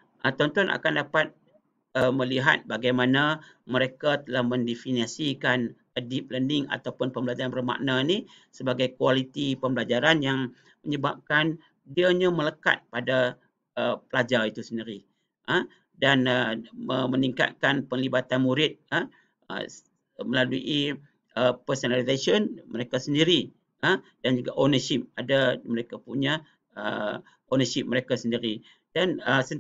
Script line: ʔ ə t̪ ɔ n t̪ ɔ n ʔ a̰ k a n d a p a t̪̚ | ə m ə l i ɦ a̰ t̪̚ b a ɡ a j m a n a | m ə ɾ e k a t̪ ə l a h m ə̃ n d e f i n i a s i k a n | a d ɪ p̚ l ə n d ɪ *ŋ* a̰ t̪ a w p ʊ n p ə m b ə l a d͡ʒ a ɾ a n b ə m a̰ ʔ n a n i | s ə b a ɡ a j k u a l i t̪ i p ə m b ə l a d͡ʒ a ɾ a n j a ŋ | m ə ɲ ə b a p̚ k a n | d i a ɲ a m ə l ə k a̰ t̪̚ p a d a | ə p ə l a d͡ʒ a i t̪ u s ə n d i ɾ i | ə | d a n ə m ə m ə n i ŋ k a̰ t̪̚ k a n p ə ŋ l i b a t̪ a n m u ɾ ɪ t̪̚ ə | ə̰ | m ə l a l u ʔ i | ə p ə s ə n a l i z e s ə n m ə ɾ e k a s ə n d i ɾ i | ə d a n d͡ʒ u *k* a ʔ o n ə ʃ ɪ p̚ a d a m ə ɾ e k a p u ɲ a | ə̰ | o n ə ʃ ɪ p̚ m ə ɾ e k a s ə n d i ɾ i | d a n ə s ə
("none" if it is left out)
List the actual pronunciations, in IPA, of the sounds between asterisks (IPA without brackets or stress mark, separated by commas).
ŋ, ɡ